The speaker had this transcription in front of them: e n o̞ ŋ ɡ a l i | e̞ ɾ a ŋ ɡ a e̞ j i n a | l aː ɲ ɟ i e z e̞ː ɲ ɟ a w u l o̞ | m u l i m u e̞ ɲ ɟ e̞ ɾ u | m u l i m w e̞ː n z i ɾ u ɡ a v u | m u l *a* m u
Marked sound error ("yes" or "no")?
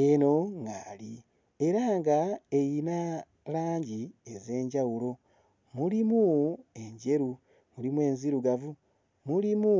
yes